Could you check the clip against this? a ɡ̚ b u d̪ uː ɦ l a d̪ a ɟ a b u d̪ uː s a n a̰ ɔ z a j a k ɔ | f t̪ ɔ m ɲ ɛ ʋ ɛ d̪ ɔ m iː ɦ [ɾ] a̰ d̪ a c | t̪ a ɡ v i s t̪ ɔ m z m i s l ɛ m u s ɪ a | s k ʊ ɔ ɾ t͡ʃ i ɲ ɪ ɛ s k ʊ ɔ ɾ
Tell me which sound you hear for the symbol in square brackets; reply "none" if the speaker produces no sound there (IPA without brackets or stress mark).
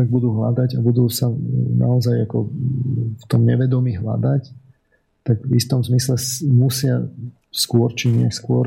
l